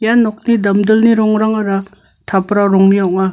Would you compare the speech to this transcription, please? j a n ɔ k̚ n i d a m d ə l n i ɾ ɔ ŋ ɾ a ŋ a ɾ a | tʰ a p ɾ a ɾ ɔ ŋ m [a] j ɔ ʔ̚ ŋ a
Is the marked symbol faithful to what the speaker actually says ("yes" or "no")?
no